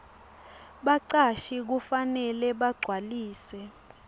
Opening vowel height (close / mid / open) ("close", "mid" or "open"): open